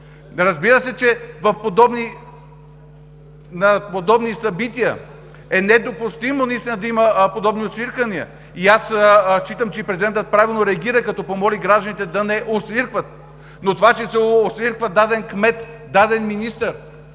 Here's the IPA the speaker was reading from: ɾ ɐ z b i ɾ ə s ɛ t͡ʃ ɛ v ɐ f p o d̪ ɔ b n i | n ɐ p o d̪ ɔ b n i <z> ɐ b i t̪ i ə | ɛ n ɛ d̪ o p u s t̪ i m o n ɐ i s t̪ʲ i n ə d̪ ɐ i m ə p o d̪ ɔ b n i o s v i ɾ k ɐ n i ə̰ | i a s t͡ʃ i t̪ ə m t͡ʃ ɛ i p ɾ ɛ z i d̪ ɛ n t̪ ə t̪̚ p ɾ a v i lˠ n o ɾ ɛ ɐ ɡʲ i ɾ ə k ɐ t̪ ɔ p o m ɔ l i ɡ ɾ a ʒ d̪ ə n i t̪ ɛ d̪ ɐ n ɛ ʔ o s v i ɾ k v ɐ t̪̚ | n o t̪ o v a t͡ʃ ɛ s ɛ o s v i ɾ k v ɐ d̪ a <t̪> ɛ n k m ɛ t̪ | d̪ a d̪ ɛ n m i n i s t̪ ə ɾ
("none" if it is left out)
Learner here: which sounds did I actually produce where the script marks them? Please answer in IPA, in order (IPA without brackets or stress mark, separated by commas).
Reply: s, d̪